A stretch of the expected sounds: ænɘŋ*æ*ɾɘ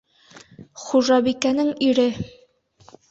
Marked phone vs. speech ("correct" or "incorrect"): incorrect